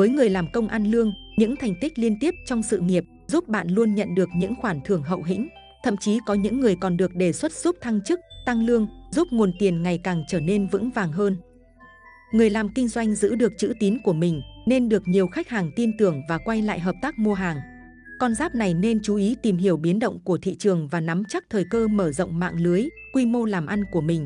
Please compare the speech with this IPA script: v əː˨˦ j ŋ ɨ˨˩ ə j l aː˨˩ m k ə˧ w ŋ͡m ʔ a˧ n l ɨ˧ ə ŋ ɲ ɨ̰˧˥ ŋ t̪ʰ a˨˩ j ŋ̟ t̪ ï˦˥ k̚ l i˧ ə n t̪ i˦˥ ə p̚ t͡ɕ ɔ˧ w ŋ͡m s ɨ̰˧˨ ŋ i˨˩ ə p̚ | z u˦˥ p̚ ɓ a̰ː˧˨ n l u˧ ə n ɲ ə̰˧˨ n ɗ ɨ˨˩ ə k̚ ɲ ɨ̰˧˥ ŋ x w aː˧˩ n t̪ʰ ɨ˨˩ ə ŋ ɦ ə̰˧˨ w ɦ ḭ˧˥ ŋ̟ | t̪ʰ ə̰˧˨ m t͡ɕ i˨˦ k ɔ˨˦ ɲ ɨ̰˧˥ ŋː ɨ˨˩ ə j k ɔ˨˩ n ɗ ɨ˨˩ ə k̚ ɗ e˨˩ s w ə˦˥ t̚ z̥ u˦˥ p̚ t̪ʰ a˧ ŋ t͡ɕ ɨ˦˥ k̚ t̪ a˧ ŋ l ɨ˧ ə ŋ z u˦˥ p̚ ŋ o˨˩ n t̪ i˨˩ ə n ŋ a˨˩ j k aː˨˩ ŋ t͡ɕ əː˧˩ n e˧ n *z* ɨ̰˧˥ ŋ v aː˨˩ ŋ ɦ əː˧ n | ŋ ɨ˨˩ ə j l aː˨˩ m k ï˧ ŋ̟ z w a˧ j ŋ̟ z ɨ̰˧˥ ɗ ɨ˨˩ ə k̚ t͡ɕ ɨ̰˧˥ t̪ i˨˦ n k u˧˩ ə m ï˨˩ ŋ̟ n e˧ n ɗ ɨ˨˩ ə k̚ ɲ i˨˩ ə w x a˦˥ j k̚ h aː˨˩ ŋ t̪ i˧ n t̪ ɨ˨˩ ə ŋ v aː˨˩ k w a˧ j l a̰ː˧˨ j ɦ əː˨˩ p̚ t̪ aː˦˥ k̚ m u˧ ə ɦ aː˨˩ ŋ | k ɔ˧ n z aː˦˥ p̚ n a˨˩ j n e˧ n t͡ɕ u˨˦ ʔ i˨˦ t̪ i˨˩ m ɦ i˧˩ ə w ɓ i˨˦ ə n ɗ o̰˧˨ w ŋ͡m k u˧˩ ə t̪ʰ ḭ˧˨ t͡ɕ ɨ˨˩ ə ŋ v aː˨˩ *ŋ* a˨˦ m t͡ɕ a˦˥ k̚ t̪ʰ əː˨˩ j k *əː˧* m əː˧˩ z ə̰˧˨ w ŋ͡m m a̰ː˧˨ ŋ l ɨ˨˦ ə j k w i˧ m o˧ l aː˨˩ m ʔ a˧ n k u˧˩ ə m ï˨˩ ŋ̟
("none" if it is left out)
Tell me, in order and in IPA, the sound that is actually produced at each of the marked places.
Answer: v, n, əː˧

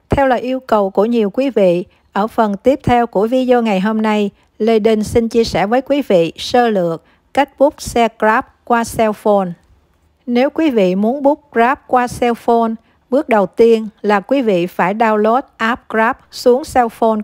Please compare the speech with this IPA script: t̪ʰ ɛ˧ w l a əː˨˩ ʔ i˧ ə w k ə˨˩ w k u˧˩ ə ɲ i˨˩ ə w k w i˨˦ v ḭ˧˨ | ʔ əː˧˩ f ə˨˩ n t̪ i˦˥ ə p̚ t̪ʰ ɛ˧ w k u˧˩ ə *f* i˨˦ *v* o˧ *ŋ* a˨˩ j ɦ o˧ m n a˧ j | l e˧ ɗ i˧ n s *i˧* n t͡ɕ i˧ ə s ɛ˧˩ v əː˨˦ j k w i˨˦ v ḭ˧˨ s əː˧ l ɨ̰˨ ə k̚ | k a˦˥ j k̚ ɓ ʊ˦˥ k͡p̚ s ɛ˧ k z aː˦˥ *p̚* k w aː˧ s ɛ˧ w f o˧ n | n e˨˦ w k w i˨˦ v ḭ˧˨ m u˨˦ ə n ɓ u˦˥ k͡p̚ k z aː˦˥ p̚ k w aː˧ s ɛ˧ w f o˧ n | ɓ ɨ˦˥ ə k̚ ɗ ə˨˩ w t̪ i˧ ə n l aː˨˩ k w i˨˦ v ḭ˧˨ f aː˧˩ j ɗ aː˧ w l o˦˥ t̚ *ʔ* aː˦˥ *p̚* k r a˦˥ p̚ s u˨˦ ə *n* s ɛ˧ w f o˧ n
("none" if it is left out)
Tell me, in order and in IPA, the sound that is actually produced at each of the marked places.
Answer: v, z, ŋ, i˧, p̚, ʔ, p̚, ŋ

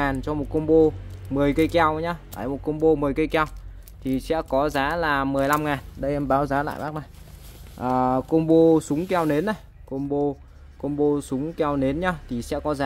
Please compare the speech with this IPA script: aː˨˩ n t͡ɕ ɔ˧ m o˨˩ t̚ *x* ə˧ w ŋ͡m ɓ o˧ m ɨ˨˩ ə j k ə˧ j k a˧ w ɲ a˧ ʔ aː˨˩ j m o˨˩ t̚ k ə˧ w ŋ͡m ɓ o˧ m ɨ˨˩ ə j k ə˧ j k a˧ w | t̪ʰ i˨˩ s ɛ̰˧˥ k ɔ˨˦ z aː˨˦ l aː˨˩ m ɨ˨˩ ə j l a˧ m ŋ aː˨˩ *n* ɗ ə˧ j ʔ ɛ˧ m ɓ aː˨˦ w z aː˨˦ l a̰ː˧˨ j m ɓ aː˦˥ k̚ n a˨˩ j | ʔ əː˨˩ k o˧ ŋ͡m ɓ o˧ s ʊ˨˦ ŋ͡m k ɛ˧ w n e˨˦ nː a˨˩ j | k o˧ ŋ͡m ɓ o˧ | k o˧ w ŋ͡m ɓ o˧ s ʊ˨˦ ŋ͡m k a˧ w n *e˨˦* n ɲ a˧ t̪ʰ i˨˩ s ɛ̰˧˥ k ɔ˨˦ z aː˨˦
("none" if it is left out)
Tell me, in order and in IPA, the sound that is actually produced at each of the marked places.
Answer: k, n, e˨˦

